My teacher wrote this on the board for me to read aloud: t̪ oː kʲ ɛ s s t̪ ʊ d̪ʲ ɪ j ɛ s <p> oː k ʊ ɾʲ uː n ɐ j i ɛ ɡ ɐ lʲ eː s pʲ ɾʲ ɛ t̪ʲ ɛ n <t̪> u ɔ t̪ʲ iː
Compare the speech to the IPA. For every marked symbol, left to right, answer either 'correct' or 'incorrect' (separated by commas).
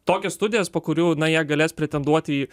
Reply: correct, incorrect